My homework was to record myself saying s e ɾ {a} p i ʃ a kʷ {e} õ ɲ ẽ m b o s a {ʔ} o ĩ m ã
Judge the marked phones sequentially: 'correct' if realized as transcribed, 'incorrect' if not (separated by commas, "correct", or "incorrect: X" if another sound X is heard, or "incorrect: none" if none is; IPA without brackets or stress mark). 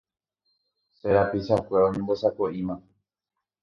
correct, correct, incorrect: k